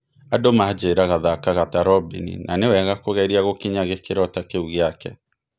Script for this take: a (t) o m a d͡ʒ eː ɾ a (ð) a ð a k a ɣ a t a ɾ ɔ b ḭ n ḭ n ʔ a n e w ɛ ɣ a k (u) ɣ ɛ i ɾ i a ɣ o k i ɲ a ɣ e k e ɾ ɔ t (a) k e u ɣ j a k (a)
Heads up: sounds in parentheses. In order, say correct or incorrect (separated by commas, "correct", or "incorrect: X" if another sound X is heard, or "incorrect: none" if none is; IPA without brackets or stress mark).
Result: incorrect: d, incorrect: ɣ, incorrect: o, correct, incorrect: ɛ